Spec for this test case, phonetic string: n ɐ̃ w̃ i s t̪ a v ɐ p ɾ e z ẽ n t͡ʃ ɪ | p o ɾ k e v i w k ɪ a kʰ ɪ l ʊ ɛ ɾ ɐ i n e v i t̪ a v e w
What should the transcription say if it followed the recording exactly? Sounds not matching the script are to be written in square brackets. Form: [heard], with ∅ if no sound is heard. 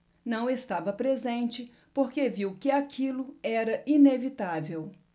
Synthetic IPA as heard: n ɐ̃ w̃ [e] s t̪ a v ɐ p ɾ e z ẽ n t͡ʃ ɪ | p o ɾ k e v i w k ɪ a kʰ [i] l ʊ ɛ ɾ ɐ i n e v i t̪ a v e w